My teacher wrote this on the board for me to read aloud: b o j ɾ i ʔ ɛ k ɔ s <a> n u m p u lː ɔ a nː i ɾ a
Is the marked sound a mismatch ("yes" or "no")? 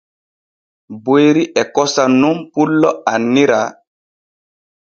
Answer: no